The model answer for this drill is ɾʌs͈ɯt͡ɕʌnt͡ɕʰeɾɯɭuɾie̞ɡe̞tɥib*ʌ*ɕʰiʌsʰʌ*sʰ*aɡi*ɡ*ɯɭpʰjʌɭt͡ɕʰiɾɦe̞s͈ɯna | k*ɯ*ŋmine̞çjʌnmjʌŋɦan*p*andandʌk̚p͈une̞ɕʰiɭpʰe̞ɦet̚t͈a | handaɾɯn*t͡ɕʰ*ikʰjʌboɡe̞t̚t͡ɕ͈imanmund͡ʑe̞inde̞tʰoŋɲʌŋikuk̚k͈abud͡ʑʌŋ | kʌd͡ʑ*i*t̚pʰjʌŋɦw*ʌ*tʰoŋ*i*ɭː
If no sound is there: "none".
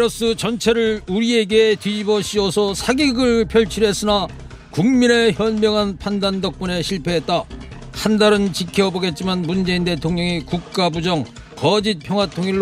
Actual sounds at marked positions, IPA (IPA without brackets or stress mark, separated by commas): ʌ, sʰ, ɡ, u, pʰ, t͡ɕ, i, a, i